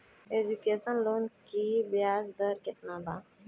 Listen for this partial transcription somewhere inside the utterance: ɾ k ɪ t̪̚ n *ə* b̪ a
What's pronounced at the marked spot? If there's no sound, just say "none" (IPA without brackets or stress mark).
a